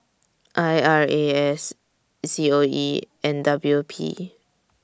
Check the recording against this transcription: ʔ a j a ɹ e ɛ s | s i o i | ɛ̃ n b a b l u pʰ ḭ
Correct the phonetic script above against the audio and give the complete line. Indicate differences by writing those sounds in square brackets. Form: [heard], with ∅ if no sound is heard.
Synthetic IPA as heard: ʔ a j a ɹ e ɛ s | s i o i | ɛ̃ n [d] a b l u pʰ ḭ